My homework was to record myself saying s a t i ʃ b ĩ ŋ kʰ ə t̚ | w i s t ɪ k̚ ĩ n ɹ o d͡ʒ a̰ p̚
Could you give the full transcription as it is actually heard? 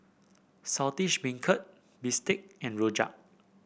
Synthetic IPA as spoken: s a t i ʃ b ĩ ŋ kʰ ə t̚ | b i s t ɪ k̚ ɛ̃ n ɹ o d͡ʒ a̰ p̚